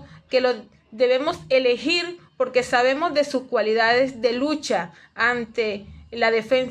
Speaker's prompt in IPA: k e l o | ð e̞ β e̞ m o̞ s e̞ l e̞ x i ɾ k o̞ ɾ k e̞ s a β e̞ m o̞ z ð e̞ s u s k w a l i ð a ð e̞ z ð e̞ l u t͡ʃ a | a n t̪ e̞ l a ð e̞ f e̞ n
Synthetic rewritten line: k e l o | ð e̞ β e̞ m o̞ s e̞ l e̞ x i ɾ p o̞ ɾ k e̞ s a β e̞ m o̞ z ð e̞ s u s k w a l i ð a ð e̞ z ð e̞ l u t͡ʃ a | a n t̪ e̞ l a ð e̞ f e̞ n